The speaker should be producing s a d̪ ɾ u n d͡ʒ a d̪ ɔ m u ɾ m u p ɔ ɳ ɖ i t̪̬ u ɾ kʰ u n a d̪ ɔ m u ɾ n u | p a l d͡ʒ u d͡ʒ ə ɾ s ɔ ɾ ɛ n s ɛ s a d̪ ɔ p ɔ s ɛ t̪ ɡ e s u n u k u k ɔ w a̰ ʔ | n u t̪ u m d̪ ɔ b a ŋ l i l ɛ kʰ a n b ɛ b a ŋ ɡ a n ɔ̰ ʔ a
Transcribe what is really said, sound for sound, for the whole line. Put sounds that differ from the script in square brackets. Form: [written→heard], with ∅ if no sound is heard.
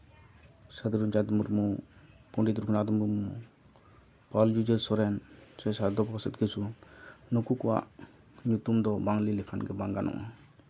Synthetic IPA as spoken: s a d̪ ɾ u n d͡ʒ a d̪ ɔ m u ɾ m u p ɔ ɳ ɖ i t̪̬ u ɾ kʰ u n a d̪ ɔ m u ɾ [n→m] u | p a l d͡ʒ u d͡ʒ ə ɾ s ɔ ɾ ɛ n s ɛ s a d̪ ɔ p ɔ s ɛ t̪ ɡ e s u n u k u k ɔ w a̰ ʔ | [n→ɲ] u t̪ u m d̪ ɔ b a ŋ l i l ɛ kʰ a n [b→ɡ] ɛ b a ŋ ɡ a n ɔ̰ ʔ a

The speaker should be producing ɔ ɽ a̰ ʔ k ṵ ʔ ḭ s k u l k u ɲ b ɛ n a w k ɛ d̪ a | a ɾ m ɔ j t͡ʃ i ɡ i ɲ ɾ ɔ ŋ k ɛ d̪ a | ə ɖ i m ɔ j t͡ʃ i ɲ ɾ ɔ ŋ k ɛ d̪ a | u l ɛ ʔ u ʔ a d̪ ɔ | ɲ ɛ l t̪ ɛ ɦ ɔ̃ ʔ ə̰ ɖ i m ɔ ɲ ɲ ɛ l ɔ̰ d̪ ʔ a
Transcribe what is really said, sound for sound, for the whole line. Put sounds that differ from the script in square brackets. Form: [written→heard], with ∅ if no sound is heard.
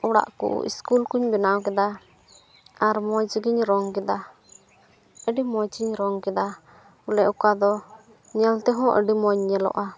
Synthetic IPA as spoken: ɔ ɽ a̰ ʔ k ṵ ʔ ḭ s k u l k u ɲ b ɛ n a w k ɛ d̪ a | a ɾ m ɔ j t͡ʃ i ɡ i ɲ ɾ ɔ ŋ k ɛ d̪ a | ə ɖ i m ɔ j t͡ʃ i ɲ ɾ ɔ ŋ k ɛ d̪ a | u l ɛ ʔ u [ʔ→k] a d̪ ɔ | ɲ ɛ l t̪ ɛ ɦ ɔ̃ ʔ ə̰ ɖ i m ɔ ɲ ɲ ɛ l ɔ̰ [d̪→∅] ʔ a

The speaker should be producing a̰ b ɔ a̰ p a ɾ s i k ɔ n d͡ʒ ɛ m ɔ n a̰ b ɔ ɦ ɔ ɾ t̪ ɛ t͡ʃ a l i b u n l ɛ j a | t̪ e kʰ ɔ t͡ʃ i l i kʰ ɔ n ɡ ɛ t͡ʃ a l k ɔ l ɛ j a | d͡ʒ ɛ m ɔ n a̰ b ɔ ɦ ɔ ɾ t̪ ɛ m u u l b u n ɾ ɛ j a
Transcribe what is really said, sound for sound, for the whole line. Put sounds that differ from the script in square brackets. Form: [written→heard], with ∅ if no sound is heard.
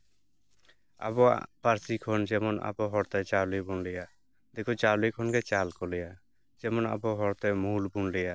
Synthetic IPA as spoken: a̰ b ɔ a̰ p a ɾ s i [k→kʰ] ɔ n d͡ʒ ɛ m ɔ n a̰ b ɔ ɦ ɔ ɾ t̪ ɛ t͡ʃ a l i b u n l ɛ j a | [t̪→d̪] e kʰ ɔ t͡ʃ [i→a] l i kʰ ɔ n ɡ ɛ t͡ʃ a l k ɔ l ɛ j a | d͡ʒ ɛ m ɔ n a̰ b ɔ ɦ ɔ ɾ t̪ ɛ m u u l b u n [ɾ→l] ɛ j a

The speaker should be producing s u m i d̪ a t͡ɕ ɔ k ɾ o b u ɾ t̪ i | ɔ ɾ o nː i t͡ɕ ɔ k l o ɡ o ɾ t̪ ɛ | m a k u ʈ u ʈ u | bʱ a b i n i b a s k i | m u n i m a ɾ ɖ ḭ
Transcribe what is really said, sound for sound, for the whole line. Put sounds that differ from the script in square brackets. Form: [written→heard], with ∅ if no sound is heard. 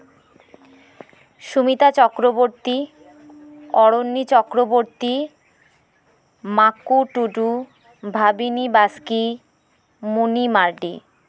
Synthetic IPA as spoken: [s→ʃ] u m i [d̪→t̪] a t͡ɕ ɔ k ɾ o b [u→o] ɾ t̪ i | ɔ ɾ o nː i t͡ɕ ɔ k [l→ɾ] o [ɡ→b] o ɾ t̪ [ɛ→i] | m a k u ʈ u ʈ u | bʱ a b i n i b a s k i | m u n i m a ɾ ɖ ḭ

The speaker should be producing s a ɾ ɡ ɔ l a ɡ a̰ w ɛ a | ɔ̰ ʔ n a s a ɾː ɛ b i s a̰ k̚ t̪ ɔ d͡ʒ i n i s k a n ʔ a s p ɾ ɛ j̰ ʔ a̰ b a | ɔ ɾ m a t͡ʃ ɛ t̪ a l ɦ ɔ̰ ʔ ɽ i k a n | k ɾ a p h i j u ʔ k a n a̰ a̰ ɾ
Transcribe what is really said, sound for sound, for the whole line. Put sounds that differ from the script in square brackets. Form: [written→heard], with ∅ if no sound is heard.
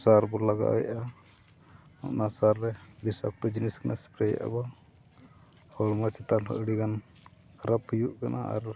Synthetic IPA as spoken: s a ɾ [ɡ→b] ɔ l a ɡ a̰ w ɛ a | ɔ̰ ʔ n a s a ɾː ɛ b i s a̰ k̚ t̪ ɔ d͡ʒ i n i s k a n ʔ a s p ɾ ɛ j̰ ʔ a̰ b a | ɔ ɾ m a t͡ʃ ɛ t̪ a l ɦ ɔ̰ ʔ ɽ i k a n | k ɾ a p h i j u ʔ k a n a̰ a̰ ɾ

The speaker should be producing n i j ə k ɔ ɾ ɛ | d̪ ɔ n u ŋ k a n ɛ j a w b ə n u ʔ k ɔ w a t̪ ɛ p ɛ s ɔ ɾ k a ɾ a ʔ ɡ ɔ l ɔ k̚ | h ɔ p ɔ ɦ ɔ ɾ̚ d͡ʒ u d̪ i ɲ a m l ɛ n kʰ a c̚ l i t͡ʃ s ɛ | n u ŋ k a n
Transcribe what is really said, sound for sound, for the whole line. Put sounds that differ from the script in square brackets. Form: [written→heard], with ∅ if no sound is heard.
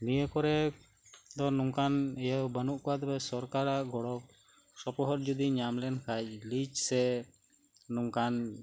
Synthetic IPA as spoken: n i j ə k ɔ ɾ ɛ | d̪ ɔ n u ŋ k a n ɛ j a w b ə n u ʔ k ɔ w a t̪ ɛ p ɛ s ɔ ɾ k a ɾ a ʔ ɡ ɔ [l→ɽ] ɔ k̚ | [h→s] ɔ p ɔ ɦ ɔ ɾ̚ d͡ʒ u d̪ i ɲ a m l ɛ n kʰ a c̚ l i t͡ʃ s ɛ | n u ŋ k a n

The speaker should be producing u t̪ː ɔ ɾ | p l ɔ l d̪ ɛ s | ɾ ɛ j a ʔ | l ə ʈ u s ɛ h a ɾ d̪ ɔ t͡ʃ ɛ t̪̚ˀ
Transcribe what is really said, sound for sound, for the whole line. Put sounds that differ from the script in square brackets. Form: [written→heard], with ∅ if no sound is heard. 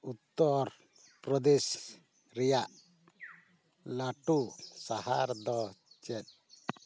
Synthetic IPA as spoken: u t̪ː ɔ ɾ | p [l→ɾ] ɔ [l→∅] d̪ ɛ s | ɾ ɛ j a ʔ | l [ə→a] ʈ u s [ɛ→a] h a ɾ d̪ ɔ t͡ʃ ɛ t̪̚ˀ

